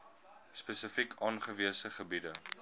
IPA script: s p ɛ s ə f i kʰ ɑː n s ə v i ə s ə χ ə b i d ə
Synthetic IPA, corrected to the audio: s p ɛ s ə f i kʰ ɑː n χ ə v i ə s ə χ ə b i d ə